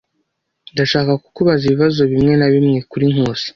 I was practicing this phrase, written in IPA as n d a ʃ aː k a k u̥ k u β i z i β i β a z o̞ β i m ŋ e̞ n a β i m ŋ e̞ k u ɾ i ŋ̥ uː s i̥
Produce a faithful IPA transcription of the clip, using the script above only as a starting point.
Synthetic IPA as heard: n d a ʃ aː k a k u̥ k u β a z i β i β a z o̞ β i m ŋ e̞ n a β i m ŋ e̞ k u ɾ i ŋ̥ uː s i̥